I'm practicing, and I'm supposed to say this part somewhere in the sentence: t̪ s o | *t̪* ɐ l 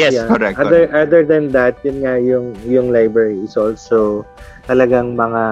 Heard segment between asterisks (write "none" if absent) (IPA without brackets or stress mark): t̪